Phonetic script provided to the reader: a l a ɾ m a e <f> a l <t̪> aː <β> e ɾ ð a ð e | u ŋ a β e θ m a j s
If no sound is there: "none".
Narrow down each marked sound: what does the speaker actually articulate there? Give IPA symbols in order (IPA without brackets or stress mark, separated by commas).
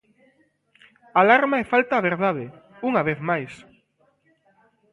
f, t̪, β